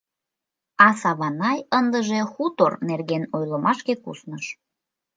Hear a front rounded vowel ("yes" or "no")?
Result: no